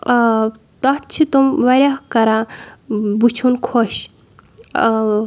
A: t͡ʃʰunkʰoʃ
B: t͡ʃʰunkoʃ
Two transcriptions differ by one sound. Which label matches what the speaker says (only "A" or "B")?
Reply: A